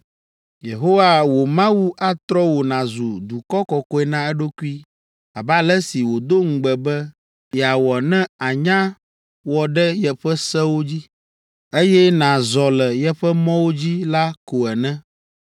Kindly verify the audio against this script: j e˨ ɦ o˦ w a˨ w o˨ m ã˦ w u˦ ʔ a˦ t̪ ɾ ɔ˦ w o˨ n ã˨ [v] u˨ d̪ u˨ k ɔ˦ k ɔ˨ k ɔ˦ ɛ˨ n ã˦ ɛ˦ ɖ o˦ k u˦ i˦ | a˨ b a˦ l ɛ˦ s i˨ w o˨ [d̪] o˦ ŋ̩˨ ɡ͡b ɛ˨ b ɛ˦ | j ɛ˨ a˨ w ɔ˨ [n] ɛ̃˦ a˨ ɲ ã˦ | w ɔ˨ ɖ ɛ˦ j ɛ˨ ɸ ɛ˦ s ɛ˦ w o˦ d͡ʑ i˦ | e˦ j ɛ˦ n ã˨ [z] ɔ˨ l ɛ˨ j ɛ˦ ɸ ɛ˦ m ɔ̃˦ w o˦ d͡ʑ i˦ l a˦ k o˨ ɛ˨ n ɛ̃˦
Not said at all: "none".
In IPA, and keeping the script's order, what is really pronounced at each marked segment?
z, d̪, n, z

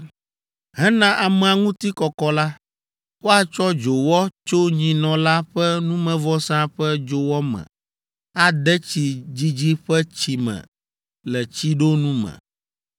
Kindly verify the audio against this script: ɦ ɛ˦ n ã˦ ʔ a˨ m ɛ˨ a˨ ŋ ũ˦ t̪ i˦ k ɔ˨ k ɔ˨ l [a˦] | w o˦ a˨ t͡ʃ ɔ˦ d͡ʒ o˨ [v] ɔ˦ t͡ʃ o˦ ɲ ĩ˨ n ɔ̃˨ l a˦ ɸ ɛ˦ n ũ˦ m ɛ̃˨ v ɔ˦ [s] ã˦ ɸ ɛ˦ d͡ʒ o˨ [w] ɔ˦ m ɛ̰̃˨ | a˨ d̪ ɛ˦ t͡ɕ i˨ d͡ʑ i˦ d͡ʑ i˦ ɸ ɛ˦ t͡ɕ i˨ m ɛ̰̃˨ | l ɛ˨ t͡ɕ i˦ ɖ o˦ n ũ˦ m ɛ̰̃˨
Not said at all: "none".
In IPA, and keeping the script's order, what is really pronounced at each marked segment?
a˦, w, s, w

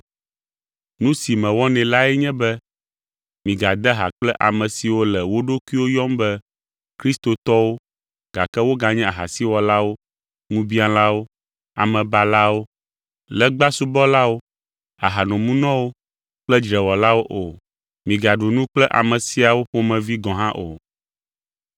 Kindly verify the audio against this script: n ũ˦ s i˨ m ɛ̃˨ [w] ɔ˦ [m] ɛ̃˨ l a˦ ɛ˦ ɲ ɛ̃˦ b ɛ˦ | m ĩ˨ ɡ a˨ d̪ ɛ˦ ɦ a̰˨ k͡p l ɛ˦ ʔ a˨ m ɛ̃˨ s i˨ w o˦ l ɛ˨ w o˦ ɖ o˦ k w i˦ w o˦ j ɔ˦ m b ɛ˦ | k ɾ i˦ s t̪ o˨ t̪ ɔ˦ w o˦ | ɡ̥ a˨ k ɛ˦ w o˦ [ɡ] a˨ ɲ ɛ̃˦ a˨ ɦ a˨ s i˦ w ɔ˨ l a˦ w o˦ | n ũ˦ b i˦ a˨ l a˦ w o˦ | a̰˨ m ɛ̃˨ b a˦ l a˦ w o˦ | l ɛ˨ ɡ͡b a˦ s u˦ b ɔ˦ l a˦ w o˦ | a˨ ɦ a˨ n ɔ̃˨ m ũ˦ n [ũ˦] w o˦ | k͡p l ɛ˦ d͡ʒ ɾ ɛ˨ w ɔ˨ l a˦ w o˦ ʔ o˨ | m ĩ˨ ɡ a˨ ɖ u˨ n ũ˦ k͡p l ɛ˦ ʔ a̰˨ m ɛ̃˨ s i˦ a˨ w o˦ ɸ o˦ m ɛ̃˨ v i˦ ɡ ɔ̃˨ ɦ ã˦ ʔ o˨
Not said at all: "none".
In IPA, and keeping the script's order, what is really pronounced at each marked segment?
w, n, ɡ, ɔ̃˦

